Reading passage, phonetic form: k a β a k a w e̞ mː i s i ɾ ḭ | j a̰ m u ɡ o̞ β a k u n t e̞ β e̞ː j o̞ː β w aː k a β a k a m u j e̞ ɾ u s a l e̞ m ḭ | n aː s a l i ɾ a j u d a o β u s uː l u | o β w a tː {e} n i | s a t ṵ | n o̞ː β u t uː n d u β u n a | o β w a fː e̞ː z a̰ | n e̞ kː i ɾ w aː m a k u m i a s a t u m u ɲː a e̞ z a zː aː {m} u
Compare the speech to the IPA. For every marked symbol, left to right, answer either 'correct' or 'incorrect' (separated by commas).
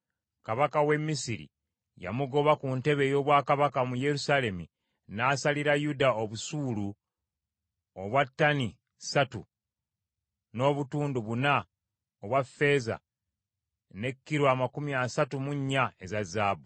incorrect, incorrect